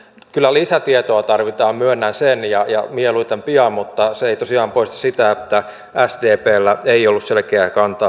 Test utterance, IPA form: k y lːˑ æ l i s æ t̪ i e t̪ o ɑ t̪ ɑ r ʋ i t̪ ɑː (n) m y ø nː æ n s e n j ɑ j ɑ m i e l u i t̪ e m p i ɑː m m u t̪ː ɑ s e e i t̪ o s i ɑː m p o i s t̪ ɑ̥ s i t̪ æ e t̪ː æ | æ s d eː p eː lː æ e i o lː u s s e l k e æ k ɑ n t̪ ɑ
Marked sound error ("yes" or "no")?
yes